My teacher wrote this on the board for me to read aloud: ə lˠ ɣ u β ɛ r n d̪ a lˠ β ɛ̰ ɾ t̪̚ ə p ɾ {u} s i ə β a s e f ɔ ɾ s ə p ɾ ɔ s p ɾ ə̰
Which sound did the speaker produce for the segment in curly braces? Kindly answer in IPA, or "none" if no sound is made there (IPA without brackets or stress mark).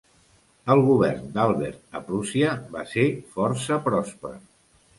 u